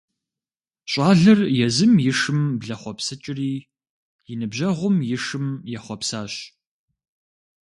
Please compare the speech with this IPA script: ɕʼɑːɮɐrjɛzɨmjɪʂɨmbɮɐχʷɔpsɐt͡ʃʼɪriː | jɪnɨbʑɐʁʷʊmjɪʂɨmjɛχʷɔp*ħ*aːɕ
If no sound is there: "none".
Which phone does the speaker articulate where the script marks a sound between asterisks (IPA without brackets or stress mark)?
s